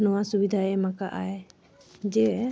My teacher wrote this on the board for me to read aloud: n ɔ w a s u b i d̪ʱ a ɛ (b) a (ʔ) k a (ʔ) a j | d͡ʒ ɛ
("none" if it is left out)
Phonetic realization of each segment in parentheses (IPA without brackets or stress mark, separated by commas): m, none, ʔ